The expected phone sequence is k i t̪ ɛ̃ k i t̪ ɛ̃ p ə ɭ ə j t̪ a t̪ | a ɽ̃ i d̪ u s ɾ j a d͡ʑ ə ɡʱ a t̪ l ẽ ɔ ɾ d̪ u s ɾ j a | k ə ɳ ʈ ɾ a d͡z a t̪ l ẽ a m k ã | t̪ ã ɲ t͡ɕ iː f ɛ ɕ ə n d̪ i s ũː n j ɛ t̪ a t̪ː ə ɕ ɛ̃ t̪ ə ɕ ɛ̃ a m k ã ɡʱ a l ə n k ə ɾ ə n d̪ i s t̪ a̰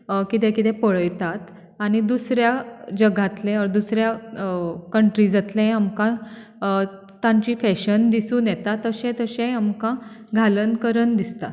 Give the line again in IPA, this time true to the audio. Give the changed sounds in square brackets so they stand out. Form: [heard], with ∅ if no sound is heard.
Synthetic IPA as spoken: k i t̪ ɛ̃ k i t̪ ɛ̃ p ə ɭ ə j t̪ a t̪ | a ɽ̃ i d̪ u s ɾ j a d͡ʑ ə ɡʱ a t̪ l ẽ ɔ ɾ d̪ u s ɾ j a | k ə ɳ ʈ ɾ [i] d͡z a t̪ l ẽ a m k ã | t̪ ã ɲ t͡ɕ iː f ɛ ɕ ə n d̪ i s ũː n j ɛ t̪ a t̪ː ə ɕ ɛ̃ t̪ ə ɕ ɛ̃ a m k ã ɡʱ a l ə n k ə ɾ ə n d̪ i s t̪ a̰